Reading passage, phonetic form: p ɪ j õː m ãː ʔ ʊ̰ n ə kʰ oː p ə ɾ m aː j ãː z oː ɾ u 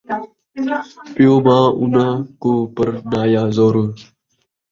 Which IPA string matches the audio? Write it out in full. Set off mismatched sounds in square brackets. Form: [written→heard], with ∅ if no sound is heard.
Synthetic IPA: p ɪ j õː m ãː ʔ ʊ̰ n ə [kʰ→k] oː p ə ɾ [m→n] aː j [ãː→aː] z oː ɾ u